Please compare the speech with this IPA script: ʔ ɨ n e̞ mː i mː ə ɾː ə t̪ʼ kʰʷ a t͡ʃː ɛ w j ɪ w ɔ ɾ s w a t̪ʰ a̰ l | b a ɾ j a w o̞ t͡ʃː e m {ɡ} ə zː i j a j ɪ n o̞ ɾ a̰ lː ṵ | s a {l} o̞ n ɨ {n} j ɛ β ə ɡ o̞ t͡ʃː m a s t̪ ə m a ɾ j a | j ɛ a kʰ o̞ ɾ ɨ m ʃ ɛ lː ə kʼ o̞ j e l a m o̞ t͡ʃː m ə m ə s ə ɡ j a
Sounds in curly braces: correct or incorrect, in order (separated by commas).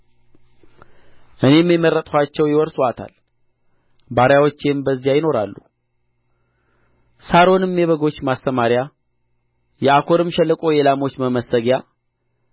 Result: incorrect, incorrect, incorrect